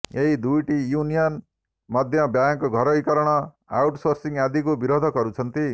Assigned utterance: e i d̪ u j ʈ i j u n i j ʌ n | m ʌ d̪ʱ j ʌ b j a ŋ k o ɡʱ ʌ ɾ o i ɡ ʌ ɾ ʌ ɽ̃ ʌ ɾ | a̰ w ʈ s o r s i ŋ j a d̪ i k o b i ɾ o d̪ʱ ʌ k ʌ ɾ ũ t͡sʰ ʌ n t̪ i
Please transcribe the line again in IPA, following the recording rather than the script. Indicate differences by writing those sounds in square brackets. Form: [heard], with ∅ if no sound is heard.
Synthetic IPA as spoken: e i d̪ u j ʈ i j u n i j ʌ n | m ʌ d̪ʱ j ʌ b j a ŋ k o ɡʱ ʌ ɾ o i [k] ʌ ɾ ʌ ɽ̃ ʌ [∅] | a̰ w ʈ s o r s i ŋ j a d̪ i k o b i ɾ o d̪ʱ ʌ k ʌ ɾ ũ t͡sʰ ʌ n t̪ i